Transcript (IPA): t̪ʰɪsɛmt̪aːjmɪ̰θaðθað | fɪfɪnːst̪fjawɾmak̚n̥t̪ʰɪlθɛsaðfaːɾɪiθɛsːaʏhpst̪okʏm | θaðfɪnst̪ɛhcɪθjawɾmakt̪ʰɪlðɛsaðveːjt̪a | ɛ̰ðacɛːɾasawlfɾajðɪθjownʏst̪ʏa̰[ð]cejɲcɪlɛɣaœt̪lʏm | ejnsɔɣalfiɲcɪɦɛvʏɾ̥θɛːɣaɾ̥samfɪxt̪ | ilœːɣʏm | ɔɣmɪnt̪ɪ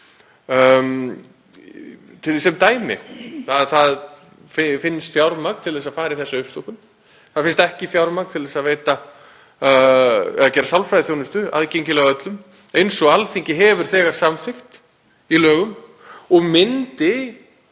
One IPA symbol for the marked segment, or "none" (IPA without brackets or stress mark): ð